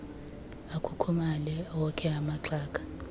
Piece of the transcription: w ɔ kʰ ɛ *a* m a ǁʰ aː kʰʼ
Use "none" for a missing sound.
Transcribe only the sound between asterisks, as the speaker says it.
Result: a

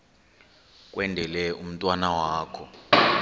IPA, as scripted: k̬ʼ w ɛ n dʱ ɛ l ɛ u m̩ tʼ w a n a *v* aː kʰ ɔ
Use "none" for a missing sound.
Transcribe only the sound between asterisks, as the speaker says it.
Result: w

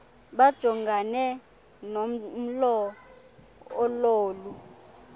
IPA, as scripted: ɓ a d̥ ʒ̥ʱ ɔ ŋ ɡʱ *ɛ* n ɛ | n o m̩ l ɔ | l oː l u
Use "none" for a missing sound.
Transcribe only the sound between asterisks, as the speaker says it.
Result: a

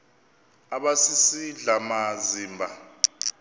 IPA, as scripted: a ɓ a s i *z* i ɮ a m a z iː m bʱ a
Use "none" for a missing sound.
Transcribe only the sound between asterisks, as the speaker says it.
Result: s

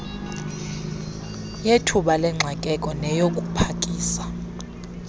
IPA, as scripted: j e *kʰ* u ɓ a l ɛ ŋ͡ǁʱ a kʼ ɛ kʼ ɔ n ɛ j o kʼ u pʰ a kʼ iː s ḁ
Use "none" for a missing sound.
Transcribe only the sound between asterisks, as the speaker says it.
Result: tʰ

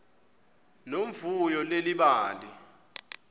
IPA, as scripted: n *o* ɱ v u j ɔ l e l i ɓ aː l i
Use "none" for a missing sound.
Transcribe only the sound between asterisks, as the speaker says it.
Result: o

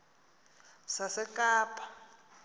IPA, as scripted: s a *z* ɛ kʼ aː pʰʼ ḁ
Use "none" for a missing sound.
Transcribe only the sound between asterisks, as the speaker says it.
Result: s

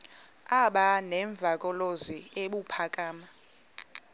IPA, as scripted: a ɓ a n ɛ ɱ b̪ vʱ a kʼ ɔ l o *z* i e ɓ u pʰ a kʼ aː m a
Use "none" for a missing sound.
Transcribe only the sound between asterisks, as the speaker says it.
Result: z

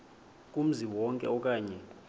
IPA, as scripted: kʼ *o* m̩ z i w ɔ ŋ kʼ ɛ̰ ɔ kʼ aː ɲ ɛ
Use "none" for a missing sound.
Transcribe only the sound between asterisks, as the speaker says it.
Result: u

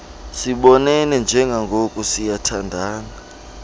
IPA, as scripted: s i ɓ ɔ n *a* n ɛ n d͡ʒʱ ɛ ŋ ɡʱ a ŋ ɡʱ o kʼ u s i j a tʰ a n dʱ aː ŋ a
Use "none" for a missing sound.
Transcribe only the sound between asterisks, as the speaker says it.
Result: ɛ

